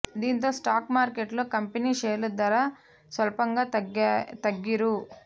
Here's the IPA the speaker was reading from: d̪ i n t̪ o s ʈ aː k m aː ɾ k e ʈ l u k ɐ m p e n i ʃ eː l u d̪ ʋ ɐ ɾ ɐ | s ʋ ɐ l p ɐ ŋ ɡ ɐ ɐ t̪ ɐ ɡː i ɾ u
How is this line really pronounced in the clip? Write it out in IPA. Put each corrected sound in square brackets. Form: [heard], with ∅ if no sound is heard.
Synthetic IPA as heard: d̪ i n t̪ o s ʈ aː k m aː ɾ k e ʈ l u k ɐ m p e n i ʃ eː l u d̪ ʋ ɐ ɾ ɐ | s ʋ ɐ l p ɐ ŋ ɡ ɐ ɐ t̪ ɐ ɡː i ɾ u